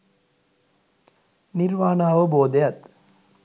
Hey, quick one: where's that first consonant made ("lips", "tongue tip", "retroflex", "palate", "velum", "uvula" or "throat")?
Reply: tongue tip